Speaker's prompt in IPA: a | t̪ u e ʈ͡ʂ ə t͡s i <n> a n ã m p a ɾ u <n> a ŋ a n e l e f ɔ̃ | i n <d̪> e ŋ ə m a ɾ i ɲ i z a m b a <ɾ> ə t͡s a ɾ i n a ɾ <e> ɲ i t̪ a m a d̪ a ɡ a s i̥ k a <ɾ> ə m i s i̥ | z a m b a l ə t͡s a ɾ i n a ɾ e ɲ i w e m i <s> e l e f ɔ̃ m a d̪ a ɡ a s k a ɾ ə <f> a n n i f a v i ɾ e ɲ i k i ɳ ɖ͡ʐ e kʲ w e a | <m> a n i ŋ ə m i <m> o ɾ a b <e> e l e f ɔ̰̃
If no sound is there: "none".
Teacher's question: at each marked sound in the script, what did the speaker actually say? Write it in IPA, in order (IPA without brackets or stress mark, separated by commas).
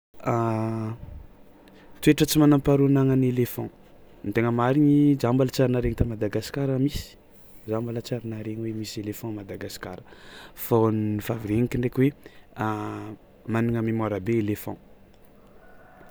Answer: m, n, t̪, l, e, ɾ, s, f, m, m, e